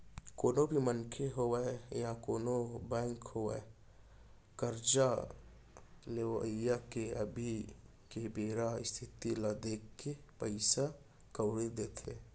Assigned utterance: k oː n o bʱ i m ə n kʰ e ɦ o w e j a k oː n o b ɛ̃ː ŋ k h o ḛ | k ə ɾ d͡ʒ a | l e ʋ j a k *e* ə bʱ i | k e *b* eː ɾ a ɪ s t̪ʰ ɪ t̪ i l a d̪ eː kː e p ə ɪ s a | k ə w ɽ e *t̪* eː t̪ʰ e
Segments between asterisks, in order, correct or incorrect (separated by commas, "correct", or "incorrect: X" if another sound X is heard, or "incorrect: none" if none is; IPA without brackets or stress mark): correct, correct, incorrect: d̪